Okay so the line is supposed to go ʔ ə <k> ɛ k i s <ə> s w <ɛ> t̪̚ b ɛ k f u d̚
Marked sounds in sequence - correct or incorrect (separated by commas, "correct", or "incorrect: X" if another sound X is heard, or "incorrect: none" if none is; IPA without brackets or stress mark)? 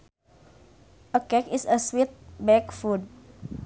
correct, correct, incorrect: i